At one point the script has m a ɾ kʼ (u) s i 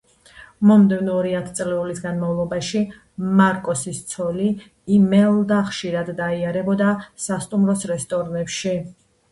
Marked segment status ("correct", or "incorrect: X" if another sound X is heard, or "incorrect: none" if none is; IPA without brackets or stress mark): incorrect: ɔ